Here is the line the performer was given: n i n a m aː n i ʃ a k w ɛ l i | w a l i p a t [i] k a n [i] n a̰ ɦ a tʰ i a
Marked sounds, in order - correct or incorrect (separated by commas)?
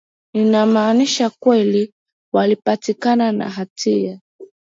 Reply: correct, incorrect